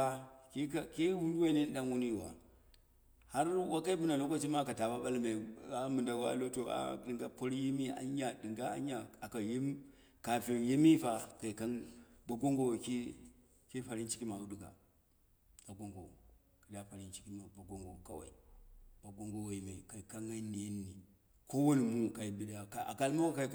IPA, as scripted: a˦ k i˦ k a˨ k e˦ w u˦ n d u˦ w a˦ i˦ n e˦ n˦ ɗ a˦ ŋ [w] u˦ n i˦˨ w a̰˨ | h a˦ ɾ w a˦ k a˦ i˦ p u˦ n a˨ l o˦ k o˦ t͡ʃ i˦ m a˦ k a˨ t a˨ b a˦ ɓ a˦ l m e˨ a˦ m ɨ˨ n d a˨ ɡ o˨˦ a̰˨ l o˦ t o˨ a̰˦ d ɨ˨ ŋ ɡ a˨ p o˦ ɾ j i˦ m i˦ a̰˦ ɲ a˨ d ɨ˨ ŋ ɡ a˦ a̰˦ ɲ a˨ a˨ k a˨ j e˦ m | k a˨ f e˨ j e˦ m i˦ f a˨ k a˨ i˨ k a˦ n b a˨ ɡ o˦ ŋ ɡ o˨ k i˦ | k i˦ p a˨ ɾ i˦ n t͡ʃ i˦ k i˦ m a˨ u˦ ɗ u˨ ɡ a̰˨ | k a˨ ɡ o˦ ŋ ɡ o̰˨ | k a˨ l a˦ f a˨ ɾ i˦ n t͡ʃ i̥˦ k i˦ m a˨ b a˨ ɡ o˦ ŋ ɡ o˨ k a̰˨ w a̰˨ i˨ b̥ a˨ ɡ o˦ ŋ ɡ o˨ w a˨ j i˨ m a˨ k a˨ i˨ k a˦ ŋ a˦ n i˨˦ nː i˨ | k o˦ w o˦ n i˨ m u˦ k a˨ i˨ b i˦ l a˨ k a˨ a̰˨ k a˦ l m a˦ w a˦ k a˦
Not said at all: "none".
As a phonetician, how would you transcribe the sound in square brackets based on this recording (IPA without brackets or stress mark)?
w